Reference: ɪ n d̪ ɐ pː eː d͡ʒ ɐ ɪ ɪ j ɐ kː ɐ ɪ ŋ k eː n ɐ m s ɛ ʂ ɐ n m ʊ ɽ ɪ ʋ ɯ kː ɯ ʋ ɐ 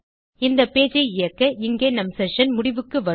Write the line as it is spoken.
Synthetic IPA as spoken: ɪ n d̪ ɐ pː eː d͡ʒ ɐ ɪ ɪ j ɐ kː ɐ ɪ ŋ ɡ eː n ɐ m s ɛ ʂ ɐ n m ʊ ɽ ɪ ʋ ɯ kː ɯ ʋ ɐ

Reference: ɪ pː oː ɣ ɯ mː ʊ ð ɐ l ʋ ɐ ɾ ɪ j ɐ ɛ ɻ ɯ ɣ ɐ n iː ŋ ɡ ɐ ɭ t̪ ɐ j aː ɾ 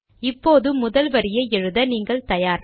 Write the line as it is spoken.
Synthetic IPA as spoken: ɪ pː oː ð ɯ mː ʊ ð ɐ l ʋ ɐ ɾ ɪ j ɐ ɛ ɻ ɯ ð ɐ n iː ŋ ɡ ɐ ɭ t̪ ɐ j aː ɾ

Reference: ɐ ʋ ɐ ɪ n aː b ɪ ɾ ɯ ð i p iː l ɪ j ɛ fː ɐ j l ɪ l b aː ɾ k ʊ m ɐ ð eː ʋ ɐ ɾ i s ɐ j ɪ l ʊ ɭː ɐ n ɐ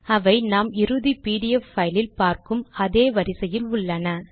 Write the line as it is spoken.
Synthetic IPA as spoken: ɐ ʋ ɐ ɪ n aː m ɪ ɾ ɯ ð i p iː ɽ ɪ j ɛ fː ɐ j l ɪ l p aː ɾ k ɯ m ɐ ð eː ʋ ɐ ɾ ɪ s ɐ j ɪ l ʊ ɭː ɐ n ɐ

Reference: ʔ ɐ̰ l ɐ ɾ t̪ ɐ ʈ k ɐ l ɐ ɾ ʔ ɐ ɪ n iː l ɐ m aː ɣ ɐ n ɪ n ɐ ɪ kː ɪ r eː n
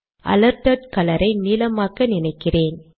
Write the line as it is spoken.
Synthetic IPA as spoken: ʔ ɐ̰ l ɐ ɾ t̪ ɐ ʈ k ɐ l ɐ ɾ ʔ ɐ ɪ n iː l ɐ m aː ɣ ɐ n ɪ n ɐ ɪ kː ɪ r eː n

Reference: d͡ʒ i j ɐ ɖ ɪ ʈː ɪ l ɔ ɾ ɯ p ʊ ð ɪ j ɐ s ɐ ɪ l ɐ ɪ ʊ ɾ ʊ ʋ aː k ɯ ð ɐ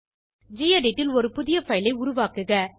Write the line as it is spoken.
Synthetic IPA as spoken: d͡ʒ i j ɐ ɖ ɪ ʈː ɪ l ɔ ɾ ɯ p ʊ ð ɪ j ɐ f ɐ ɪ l ɐ ɪ ʊ ɾ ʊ ʋ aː k ɯ ɣ ɐ

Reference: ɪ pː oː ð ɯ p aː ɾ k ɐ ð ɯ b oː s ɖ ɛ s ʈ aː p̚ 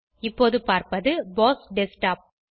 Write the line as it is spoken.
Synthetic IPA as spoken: ɪ pː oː ð ɯ p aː ɾ p ɐ ð ɯ b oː s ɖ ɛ s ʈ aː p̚

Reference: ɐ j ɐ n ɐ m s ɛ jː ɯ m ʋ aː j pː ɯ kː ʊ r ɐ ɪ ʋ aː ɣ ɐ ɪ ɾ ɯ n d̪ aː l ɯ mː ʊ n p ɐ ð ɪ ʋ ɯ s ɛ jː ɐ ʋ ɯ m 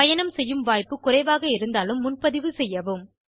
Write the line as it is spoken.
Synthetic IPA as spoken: ɐ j ɐ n ɐ m s ɛ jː ɯ m ʋ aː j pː ɯ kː ʊ r ɐ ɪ ʋ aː ɣ ɐ ɪ ɾ ɯ n d̪ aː l ɯ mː ʊ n p ɐ ð ɪ ʋ ɯ s ɛ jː ɐ ʋ ɯ m

